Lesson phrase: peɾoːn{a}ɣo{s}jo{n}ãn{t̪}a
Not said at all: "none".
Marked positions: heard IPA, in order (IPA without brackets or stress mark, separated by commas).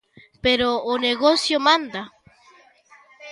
e, s, m, d̪